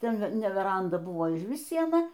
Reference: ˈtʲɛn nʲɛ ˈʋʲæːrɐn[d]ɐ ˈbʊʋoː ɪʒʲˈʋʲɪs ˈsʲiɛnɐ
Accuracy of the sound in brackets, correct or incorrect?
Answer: correct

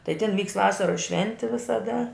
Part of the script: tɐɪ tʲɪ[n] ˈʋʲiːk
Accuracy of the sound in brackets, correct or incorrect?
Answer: correct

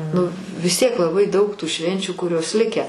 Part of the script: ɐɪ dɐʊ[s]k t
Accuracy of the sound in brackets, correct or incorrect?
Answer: incorrect: none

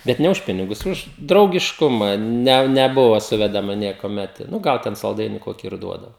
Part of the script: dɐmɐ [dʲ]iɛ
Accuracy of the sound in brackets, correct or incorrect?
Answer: incorrect: nʲ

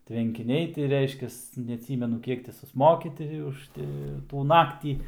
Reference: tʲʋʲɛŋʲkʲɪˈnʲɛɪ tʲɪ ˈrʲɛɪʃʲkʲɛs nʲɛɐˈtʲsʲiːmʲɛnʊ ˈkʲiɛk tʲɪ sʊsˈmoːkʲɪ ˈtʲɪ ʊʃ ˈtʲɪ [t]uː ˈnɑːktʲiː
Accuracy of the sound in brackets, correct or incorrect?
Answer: correct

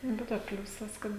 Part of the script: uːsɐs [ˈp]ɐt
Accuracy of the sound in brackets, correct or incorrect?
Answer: incorrect: k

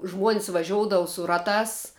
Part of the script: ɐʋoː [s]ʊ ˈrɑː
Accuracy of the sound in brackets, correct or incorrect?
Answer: correct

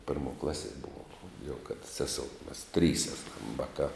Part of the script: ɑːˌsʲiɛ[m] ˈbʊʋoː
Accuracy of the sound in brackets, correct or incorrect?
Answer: incorrect: none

